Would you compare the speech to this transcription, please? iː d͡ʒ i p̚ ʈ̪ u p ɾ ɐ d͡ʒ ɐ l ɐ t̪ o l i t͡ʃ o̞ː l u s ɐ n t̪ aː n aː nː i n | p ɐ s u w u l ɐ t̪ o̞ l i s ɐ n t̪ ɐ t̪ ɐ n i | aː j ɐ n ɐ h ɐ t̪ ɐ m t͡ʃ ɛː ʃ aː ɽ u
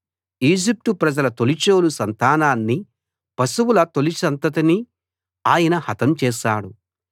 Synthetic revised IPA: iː d͡ʒ i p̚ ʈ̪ u p ɾ ɐ d͡ʒ ɐ l ɐ t̪ o l i t͡ʃ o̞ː l u s ɐ n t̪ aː n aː nː i | p ɐ s u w u l ɐ t̪ o̞ l i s ɐ n t̪ ɐ t̪ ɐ n i | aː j ɐ n ɐ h ɐ t̪ ɐ m t͡ʃ ɛː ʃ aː ɽ u